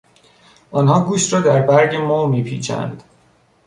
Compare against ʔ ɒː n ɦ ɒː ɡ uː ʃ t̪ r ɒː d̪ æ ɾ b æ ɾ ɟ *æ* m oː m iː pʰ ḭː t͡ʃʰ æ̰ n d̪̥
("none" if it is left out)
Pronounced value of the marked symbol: e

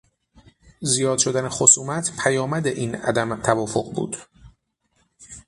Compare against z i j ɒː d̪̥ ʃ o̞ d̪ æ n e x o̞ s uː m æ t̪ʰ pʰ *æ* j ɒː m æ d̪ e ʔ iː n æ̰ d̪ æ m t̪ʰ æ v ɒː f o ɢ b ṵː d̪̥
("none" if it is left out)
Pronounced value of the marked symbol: æ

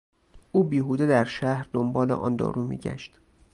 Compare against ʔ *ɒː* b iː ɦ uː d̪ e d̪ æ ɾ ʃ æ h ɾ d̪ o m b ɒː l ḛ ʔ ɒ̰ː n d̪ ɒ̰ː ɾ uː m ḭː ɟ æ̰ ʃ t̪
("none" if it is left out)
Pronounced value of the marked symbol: uː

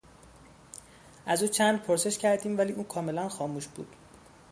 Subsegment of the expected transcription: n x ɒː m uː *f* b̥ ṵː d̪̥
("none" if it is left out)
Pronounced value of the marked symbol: ʃ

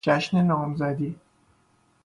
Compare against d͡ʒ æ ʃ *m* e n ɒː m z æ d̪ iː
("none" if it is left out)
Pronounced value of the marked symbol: n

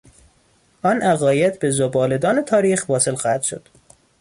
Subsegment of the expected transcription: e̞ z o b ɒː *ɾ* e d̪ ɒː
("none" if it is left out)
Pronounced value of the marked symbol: l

